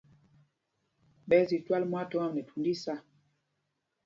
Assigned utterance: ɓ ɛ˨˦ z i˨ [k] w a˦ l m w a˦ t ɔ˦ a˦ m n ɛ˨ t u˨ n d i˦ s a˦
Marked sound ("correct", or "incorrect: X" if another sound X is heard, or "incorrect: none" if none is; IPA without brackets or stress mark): incorrect: t